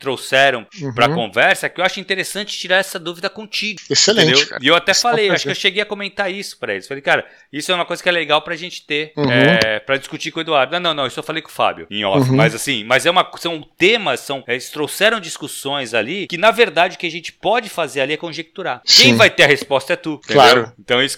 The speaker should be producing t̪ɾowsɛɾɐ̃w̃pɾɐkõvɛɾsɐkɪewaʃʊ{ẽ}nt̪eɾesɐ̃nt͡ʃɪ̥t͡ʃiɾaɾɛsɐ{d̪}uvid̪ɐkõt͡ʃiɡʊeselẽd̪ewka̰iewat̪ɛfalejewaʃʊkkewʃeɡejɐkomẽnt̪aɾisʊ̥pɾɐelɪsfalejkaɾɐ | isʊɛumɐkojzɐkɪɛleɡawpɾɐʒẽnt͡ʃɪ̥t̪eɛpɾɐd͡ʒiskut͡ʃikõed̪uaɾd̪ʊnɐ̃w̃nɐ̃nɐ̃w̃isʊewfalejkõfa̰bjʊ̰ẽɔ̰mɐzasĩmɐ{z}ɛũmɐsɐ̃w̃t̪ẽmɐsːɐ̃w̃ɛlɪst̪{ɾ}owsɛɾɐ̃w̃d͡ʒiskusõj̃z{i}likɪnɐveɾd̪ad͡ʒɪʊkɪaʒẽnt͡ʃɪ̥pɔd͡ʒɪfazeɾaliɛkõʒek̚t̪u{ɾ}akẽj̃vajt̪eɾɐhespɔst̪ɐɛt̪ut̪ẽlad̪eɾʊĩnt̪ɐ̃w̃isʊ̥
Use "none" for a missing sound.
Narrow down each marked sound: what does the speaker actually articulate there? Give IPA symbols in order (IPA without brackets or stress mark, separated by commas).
ĩ, d̪, z, ɾ, a, ɾ